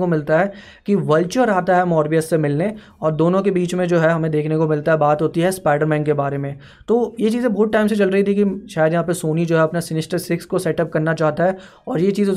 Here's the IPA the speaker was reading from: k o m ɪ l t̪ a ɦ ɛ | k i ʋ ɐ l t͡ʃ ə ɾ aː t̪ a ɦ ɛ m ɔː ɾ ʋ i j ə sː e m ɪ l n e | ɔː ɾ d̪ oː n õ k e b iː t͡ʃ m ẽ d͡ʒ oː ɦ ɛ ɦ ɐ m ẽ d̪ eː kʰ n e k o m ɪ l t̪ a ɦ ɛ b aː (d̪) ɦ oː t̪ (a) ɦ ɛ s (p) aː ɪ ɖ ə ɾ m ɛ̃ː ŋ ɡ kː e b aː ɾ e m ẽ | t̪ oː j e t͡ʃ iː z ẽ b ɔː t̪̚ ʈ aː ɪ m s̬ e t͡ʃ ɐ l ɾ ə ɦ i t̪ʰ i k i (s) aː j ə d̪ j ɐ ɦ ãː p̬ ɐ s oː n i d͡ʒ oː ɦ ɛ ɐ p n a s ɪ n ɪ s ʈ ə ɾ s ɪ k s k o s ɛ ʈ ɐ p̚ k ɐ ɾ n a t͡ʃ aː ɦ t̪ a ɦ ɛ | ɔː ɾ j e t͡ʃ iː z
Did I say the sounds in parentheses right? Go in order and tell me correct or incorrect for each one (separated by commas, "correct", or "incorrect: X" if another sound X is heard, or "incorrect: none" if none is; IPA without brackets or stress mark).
incorrect: t̪, incorrect: i, correct, incorrect: ʃ